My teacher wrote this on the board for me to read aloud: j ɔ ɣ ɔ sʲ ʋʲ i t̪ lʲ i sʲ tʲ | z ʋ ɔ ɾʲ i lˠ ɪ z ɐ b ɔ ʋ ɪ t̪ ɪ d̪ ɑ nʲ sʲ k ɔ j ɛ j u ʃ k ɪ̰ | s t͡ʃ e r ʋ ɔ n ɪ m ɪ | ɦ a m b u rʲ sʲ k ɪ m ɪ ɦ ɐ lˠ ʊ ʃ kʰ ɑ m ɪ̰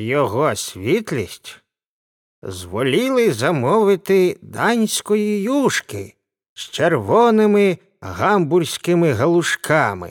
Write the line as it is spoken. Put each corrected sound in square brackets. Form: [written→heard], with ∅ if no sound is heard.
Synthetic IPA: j ɔ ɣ ɔ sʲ ʋʲ i t̪ lʲ i sʲ tʲ | z ʋ ɔ [ɾʲ→lʲ] i lˠ ɪ z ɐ [b→m] ɔ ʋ ɪ t̪ ɪ d̪ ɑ nʲ sʲ k ɔ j [ɛ→i] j u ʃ k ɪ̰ | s t͡ʃ e r ʋ ɔ n ɪ m ɪ | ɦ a m b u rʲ sʲ k ɪ m ɪ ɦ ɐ lˠ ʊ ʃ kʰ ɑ m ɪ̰